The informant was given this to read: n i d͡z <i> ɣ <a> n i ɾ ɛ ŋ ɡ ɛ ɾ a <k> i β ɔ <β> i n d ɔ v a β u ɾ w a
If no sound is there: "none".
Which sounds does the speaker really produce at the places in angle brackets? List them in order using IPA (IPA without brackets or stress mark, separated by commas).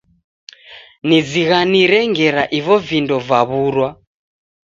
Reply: i, a, ʔ, v